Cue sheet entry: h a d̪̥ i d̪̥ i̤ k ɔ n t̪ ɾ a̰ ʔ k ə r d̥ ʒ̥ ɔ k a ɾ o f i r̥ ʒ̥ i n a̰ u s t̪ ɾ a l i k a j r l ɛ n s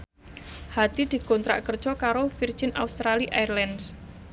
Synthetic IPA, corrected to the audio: h a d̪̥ i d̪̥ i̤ k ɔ n t̪ ɾ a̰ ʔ k ə r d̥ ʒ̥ ɔ k a ɾ o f i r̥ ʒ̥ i n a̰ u s t̪ ɾ a l i ʔ a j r l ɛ n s